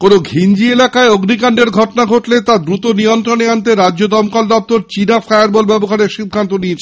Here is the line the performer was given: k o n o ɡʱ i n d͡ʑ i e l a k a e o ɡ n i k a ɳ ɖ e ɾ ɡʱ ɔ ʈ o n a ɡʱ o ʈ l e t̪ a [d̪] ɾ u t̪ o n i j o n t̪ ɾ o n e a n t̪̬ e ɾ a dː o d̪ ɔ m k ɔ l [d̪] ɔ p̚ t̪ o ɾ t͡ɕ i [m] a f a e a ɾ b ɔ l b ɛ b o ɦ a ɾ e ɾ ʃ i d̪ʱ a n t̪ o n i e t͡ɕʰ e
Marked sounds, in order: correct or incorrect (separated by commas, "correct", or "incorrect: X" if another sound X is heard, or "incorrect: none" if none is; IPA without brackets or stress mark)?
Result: correct, correct, incorrect: n